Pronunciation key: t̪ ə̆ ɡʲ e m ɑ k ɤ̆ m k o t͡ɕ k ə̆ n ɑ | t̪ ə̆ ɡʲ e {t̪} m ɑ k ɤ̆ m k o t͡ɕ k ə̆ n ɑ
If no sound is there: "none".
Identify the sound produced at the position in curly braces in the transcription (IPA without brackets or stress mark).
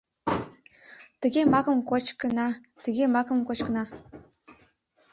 none